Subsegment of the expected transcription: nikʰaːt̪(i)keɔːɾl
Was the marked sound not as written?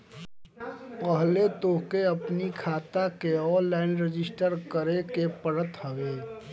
yes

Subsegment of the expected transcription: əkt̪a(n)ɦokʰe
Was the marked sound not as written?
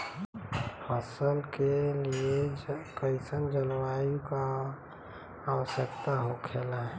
yes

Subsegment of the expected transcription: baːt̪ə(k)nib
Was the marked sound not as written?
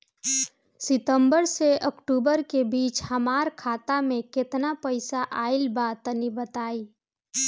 yes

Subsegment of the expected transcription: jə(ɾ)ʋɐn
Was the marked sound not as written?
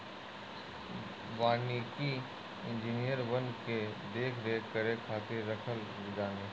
no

